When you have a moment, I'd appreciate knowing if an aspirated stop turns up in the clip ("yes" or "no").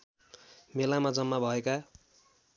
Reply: no